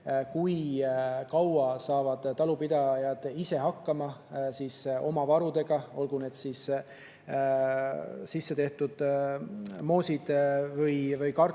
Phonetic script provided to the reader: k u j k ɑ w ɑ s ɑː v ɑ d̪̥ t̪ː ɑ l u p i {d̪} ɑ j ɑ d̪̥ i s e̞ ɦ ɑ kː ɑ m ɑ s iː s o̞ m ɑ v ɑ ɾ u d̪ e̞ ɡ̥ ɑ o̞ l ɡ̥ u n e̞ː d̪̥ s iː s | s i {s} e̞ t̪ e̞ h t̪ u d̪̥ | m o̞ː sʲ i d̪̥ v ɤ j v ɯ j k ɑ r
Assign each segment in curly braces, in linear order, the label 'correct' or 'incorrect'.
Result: correct, incorrect: sː

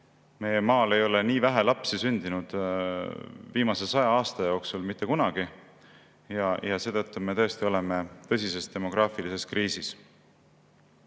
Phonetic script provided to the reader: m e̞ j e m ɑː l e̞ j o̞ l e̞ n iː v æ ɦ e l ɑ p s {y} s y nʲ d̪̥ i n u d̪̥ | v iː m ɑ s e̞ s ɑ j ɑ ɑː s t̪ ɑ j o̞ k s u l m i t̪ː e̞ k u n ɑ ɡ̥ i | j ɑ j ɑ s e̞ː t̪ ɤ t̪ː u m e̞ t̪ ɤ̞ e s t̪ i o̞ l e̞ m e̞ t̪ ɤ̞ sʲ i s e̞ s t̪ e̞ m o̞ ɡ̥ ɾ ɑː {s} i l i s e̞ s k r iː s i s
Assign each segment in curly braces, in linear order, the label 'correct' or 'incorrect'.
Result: incorrect: i, incorrect: f

